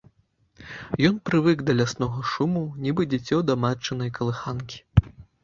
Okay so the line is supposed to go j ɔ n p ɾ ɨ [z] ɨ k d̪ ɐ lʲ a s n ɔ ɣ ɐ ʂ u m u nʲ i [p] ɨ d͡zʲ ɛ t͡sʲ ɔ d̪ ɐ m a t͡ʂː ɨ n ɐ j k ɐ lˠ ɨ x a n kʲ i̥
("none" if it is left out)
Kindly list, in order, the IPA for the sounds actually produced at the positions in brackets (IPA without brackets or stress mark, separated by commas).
v, b